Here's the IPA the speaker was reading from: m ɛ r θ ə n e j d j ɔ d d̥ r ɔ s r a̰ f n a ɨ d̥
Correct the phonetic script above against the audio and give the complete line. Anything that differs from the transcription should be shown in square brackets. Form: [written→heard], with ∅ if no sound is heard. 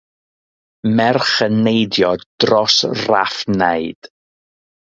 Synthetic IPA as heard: m ɛ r [θ→χ] ə n e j d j ɔ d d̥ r ɔ s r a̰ f n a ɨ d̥

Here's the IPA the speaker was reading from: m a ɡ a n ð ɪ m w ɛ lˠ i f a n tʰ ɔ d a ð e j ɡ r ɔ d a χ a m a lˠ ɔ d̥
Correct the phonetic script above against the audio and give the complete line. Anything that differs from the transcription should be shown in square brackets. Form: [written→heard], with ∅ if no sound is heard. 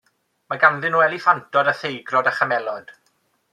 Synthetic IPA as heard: m a ɡ a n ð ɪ [m→n] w ɛ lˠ i f a n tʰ ɔ d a [ð→θ] e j ɡ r ɔ d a χ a m [a→ɛ] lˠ ɔ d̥

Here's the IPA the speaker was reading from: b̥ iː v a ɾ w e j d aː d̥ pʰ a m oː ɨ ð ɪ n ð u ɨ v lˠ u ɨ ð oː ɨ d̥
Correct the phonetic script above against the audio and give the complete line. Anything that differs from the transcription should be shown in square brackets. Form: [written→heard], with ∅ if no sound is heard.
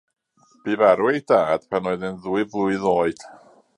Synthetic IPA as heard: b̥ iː v a ɾ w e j d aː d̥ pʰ a [m→n] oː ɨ ð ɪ n ð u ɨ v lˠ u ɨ ð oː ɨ d̥

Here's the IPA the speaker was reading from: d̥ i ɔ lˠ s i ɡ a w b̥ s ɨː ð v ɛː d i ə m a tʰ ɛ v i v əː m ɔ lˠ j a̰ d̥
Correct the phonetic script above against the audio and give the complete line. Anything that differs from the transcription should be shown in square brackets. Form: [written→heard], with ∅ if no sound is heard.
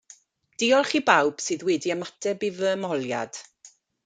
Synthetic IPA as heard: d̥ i ɔ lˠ [s→χ] i [ɡ→b] a w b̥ s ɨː ð [v→w] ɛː d i ə m a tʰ ɛ [v→b] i v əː m ɔ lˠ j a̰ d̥

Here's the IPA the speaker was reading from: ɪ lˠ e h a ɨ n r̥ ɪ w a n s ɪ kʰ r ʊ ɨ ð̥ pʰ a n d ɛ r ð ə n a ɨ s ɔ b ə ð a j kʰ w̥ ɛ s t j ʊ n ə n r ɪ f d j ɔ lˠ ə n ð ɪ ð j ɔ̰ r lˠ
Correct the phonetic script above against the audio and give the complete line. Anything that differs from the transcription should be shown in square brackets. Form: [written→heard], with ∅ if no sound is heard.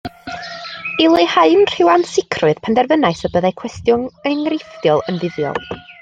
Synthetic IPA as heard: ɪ lˠ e h a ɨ n r̥ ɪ w a n s ɪ kʰ r ʊ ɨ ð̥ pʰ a n d ɛ r [ð→v] ə n a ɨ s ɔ b ə ð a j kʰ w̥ ɛ s t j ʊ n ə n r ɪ f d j ɔ lˠ ə n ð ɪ ð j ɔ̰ [r→∅] lˠ

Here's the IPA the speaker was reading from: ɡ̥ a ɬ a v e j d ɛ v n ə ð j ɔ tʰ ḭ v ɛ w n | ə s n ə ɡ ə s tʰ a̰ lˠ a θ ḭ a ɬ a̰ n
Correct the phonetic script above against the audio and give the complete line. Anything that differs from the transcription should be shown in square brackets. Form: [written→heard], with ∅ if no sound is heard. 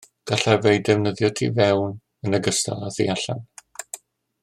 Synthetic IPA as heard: ɡ̥ a ɬ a v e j d ɛ v n ə ð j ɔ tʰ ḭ v ɛ w n | ə [s→∅] n ə ɡ ə s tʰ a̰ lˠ a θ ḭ a ɬ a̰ n

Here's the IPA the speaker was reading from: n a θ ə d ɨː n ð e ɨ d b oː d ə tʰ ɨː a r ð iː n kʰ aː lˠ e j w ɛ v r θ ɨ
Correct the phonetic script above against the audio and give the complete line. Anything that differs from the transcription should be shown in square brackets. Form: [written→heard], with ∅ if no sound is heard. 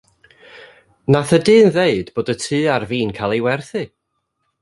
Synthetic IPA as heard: n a θ ə d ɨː n ð e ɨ d b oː d ə tʰ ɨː a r [ð→v] iː n kʰ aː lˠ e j w ɛ [v→∅] r θ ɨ

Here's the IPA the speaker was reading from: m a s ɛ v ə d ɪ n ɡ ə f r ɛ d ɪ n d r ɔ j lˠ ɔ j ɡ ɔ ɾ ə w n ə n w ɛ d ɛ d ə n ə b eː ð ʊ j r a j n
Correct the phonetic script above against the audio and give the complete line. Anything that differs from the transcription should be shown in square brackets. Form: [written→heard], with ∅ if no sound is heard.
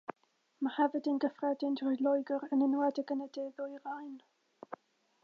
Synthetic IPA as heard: m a [s→h] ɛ v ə d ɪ n ɡ ə f r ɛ d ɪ n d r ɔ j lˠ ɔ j ɡ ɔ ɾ ə [w→∅] n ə n w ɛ d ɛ [d→ɡ] ə n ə [b→d] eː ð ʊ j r a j n

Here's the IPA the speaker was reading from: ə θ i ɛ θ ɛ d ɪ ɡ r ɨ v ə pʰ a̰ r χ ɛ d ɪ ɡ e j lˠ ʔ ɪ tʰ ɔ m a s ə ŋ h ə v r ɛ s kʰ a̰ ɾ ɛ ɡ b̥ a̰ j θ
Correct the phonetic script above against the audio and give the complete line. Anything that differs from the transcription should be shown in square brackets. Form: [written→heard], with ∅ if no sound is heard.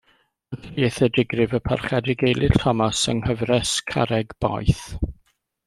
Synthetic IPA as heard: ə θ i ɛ θ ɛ d ɪ ɡ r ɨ v ə pʰ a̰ r χ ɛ d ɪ ɡ e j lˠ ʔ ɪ tʰ ɔ m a s ə ŋ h ə v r ɛ s kʰ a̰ ɾ ɛ ɡ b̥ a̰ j θ

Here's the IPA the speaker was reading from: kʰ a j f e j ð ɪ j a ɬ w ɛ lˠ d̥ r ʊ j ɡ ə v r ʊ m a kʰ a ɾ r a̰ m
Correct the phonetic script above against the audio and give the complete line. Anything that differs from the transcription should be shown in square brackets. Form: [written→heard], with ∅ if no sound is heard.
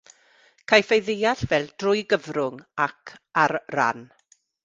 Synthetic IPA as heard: kʰ a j f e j ð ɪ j a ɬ [w→v] ɛ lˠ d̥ r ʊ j ɡ ə v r ʊ [m→ŋ] a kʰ a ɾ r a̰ [m→n]

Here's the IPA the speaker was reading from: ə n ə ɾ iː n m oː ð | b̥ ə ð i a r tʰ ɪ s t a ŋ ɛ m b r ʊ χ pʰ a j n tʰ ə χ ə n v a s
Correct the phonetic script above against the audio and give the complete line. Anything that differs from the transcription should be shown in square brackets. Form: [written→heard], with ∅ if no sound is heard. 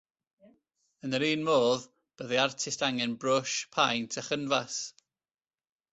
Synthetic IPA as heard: ə n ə ɾ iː n m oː ð | b̥ ə ð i a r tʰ ɪ s t a ŋ ɛ [m→n] b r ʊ [χ→ʃ] pʰ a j n tʰ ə χ ə n v a s

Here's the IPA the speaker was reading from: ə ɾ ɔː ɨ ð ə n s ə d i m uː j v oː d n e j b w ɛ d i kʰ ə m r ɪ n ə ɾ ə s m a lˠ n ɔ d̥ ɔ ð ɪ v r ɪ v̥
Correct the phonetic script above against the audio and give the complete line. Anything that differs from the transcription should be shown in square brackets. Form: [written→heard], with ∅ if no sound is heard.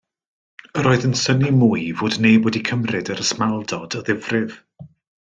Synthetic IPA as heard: ə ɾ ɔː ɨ ð ə n s ə [d→n] i m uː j v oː d n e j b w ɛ d i kʰ ə m r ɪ [n→d] ə ɾ ə s m a lˠ [n→d] ɔ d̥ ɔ ð ɪ v r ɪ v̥

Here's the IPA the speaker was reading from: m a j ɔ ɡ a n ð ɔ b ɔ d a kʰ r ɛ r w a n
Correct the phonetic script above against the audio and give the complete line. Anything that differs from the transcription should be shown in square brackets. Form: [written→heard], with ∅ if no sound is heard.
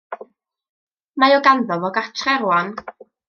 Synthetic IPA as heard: m a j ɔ ɡ a n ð ɔ [b→v] ɔ [d→ɡ] a [kʰ→tʰ] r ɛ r w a n

